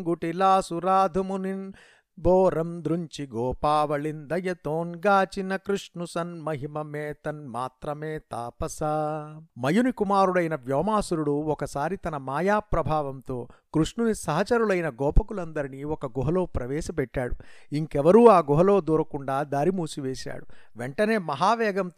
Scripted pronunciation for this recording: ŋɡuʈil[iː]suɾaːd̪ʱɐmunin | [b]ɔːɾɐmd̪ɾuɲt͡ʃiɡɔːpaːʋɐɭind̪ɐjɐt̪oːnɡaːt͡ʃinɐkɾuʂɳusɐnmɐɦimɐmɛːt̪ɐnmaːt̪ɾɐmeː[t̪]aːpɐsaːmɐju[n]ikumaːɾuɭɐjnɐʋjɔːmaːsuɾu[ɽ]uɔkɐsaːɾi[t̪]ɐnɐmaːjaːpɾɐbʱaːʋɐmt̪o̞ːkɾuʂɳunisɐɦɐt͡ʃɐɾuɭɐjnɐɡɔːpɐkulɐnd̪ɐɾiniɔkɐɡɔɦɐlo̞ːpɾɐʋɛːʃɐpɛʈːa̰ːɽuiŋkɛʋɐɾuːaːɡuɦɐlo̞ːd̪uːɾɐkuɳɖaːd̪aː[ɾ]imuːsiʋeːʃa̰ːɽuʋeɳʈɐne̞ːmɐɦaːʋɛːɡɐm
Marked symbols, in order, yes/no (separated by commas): no, yes, yes, yes, yes, yes, yes